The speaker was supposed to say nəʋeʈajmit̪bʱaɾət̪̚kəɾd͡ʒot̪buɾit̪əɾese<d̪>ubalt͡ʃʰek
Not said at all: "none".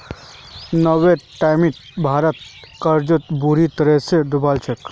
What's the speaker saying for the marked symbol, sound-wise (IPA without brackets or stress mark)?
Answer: d̪